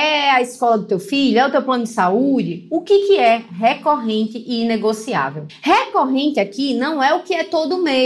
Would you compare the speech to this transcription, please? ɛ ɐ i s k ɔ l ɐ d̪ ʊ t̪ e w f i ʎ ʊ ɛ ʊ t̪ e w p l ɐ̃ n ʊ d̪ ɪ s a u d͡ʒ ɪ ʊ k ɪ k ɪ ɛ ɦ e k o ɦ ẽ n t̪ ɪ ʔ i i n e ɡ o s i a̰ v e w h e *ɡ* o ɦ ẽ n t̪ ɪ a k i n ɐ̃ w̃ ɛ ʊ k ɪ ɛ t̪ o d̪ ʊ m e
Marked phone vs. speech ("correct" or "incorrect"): incorrect